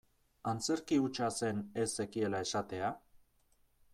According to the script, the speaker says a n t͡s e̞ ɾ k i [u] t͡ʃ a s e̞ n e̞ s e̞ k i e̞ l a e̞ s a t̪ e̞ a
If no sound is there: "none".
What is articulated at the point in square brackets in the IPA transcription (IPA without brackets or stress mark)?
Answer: u